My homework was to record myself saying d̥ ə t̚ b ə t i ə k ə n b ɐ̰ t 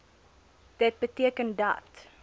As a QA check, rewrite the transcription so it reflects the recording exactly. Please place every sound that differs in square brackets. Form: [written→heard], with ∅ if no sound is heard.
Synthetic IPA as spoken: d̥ ə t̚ b ə t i ə k ə n [b→d] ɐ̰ t